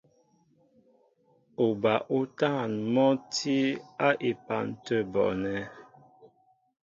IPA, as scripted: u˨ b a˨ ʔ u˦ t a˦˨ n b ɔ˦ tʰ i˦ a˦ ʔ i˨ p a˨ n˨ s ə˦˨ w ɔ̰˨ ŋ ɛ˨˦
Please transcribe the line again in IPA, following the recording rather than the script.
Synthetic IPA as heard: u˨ b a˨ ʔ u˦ t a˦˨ n m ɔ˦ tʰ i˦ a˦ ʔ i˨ p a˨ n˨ t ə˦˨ b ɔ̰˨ n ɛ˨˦

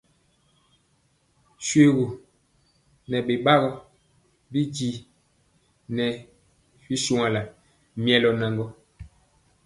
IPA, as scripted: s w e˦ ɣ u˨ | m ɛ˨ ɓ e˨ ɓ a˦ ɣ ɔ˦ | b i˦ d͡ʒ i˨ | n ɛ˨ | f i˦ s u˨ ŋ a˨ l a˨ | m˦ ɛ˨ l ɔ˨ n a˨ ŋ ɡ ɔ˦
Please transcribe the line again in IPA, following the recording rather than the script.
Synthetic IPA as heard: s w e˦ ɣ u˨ | n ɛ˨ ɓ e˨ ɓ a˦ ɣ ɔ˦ | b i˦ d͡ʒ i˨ | n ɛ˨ | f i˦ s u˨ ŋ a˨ l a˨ | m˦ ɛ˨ l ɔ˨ n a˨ ŋ ɡ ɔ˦

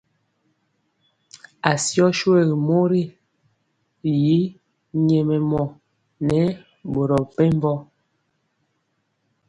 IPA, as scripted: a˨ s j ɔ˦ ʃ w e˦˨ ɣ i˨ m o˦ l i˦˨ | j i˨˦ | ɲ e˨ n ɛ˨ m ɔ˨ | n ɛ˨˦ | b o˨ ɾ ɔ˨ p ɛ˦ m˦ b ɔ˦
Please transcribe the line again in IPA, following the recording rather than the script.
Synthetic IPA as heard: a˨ s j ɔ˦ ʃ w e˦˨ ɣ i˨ m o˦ ɾ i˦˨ | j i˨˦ | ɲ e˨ m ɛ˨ m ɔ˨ | n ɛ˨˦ | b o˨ ɾ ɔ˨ p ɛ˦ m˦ b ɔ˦

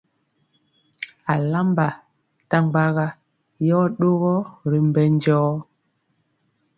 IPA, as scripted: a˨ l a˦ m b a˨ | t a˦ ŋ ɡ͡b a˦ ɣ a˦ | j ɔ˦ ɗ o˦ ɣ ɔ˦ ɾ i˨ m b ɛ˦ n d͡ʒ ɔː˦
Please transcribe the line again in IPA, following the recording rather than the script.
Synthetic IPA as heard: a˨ l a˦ m b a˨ | t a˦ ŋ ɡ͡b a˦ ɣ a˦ | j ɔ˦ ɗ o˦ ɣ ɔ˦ ɾ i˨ m b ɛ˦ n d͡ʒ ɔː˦

